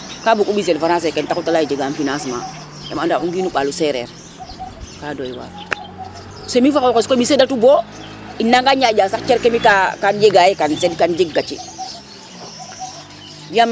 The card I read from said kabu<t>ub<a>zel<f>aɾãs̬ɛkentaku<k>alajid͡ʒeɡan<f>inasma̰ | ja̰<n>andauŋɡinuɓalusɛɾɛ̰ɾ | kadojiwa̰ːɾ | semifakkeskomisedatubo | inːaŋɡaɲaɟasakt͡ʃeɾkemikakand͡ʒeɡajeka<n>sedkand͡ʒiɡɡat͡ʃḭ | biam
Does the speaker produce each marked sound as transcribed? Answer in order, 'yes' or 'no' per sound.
no, no, yes, no, yes, no, yes

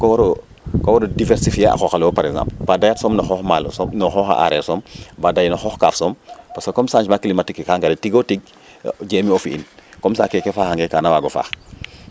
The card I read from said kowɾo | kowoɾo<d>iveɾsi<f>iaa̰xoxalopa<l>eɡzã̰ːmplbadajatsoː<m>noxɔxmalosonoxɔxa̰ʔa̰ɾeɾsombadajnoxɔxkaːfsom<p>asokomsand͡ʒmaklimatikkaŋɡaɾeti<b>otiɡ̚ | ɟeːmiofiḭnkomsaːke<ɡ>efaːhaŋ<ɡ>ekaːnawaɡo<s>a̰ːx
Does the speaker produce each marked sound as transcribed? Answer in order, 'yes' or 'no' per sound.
yes, yes, no, yes, yes, no, no, yes, no

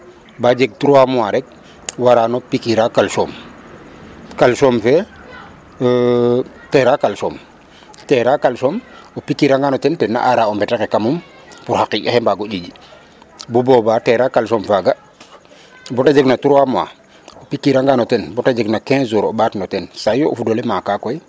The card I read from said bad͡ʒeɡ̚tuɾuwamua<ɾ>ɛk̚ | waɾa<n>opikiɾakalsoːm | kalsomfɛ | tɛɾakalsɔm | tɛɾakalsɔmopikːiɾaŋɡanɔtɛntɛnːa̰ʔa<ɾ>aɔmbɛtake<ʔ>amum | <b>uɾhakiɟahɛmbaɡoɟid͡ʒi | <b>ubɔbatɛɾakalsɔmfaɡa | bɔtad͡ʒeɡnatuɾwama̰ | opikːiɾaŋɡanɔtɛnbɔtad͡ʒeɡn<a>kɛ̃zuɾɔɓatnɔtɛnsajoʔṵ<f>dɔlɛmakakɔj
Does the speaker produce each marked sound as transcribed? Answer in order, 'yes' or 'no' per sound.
yes, yes, yes, no, no, yes, yes, yes

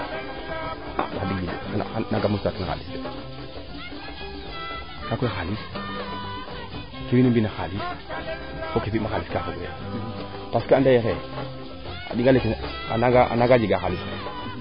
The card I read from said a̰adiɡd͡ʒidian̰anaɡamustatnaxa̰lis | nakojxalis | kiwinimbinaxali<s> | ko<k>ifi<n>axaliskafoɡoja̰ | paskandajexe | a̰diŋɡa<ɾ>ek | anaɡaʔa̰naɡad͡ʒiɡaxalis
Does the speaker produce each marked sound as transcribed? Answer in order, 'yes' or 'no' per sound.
yes, yes, no, no

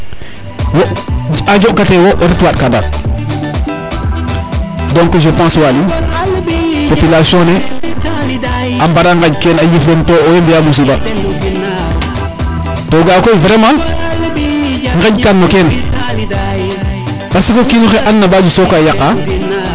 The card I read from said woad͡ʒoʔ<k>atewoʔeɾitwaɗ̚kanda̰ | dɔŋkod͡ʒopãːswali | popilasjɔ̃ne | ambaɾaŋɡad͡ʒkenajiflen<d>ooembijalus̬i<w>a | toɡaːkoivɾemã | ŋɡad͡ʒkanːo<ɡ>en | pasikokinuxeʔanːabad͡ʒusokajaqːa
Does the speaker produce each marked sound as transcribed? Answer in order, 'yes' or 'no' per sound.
yes, no, no, no

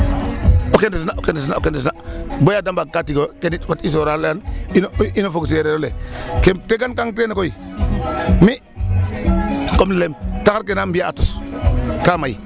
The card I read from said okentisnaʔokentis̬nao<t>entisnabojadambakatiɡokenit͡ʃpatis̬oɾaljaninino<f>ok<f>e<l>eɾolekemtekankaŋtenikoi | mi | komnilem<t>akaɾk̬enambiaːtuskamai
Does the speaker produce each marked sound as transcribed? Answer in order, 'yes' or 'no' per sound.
no, yes, no, no, yes

